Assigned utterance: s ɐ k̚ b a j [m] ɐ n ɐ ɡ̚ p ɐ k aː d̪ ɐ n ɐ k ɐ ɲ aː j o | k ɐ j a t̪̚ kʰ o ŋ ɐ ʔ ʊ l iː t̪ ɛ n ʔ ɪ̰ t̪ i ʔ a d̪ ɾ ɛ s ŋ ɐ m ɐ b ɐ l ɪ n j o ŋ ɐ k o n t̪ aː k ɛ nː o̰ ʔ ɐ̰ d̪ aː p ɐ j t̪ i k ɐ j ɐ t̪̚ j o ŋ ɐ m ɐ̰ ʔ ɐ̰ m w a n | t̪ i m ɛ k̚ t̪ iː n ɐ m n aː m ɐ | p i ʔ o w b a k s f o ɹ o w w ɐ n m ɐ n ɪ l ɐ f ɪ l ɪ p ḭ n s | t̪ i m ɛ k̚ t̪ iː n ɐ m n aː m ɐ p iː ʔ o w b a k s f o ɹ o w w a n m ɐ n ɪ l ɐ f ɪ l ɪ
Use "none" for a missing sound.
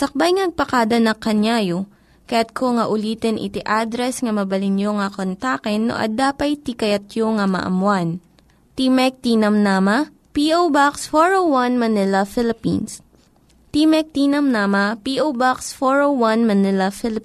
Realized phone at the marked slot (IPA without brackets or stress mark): ŋ